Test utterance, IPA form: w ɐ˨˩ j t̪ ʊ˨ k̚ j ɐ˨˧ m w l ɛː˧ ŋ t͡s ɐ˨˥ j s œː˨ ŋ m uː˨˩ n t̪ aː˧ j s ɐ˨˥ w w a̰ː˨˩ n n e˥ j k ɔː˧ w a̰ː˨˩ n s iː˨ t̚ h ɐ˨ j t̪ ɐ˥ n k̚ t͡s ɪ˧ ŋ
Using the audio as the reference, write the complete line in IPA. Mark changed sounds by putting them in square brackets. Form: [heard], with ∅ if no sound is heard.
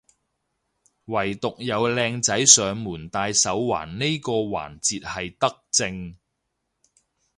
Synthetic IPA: w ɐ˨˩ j t̪ ʊ˨ k̚ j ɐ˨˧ [∅] w l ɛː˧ ŋ t͡s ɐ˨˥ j s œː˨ ŋ m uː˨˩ n t̪ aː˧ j s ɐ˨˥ w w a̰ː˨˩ n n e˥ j k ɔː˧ w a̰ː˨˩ n [t͡s] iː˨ t̚ h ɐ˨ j t̪ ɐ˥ [∅] k̚ t͡s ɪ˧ ŋ